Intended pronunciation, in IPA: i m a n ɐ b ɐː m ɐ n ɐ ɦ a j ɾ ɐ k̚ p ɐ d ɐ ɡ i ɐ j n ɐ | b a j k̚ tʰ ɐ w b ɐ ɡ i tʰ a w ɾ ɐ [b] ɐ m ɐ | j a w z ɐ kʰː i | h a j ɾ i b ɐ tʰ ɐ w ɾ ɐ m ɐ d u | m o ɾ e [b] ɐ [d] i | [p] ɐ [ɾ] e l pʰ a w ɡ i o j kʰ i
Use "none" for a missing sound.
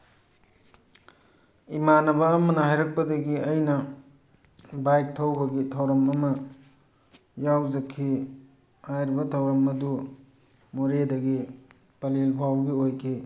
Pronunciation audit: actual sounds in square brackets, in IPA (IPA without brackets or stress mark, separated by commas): m, d, ɡ, p, l